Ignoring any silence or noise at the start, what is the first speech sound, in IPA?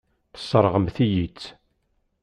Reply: θ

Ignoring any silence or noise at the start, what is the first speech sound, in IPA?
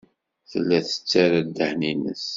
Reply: θ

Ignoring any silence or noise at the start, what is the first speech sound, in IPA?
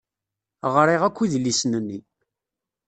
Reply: ʁ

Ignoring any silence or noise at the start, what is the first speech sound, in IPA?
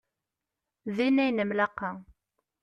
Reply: ð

